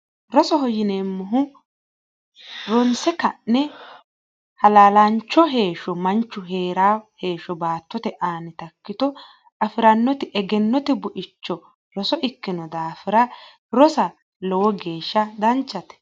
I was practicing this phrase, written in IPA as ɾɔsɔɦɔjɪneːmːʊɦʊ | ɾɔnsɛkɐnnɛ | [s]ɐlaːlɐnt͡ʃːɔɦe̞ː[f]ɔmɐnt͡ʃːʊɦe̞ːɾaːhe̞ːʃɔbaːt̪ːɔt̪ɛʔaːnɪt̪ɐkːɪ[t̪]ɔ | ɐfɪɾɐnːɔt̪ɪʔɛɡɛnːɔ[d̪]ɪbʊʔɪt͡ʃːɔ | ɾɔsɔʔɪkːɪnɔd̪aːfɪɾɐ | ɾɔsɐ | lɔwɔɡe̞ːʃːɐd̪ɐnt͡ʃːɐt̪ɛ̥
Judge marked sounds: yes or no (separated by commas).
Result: no, no, yes, no